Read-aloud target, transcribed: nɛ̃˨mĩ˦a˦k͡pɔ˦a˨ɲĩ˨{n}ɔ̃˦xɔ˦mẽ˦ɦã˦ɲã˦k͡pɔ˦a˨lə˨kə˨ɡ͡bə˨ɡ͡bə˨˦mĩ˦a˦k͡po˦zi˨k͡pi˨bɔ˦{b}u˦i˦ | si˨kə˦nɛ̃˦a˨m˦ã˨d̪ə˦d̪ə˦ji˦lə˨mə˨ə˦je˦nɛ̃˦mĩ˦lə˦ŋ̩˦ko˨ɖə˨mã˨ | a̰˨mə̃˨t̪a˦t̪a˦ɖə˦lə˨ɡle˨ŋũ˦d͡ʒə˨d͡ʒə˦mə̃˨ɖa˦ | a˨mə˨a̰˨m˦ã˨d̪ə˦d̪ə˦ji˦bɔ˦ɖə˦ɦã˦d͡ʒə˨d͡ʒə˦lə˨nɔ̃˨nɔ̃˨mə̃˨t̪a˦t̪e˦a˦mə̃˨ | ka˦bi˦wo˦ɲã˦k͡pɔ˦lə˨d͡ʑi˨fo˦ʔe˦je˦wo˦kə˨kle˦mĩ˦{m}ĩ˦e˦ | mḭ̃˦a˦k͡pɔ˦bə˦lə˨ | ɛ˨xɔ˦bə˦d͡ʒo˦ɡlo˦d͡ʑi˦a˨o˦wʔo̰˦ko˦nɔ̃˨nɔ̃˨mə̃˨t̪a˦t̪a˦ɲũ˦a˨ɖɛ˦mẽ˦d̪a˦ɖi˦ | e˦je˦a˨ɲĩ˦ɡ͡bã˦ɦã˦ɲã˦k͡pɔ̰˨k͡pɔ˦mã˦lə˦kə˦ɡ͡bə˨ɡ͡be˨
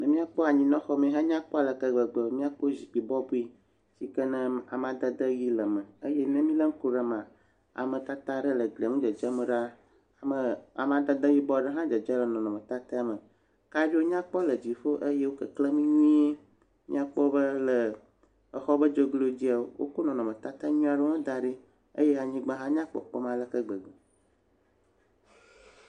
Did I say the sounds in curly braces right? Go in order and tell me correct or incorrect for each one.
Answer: correct, correct, incorrect: ɲ

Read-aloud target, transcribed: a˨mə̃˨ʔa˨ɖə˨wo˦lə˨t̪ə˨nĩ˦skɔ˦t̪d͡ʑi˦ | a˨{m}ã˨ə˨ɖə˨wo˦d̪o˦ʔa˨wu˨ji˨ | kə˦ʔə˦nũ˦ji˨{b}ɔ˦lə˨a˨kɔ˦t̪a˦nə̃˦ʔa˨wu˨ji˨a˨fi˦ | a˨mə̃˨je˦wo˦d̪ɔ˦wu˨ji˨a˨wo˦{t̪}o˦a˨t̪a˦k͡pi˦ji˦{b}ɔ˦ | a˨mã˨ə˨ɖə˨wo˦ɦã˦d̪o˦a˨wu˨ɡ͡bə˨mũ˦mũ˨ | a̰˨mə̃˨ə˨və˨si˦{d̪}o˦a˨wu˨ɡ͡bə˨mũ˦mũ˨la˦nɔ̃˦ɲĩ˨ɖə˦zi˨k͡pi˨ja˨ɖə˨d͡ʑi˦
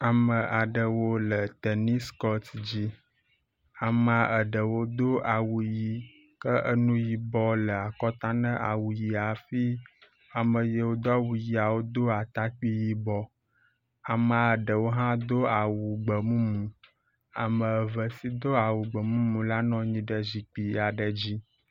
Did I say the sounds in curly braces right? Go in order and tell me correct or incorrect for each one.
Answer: correct, correct, incorrect: d̪, correct, correct

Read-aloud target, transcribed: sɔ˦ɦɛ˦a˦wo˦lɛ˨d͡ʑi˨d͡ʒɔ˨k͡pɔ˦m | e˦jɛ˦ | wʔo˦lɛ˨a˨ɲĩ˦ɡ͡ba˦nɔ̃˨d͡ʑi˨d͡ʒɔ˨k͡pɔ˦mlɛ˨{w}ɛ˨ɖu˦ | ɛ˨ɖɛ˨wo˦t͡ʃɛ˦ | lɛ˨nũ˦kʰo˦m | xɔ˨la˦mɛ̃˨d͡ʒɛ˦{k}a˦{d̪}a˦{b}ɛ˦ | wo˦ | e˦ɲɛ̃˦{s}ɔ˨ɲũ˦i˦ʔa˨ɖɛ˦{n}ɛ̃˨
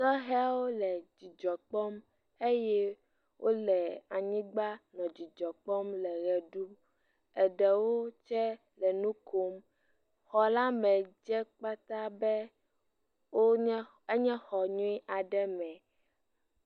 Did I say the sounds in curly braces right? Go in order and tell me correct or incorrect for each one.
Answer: incorrect: ɣ, incorrect: k͡p, incorrect: t̪, correct, incorrect: x, incorrect: m

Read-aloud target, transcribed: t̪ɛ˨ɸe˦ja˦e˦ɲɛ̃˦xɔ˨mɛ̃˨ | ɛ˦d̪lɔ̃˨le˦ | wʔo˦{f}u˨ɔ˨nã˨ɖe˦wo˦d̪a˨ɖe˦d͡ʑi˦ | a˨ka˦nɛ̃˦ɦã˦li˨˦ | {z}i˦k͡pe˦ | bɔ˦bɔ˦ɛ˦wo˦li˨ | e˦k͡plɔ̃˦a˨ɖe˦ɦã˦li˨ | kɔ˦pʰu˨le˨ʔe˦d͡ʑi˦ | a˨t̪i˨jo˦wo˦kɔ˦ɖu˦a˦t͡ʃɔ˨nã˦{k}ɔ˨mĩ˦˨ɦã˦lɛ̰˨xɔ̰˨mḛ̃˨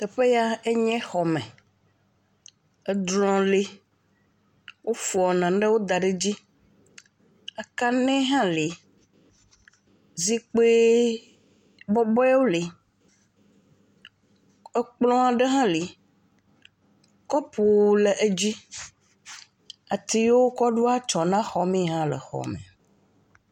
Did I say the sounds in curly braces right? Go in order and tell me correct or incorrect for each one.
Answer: correct, correct, incorrect: x

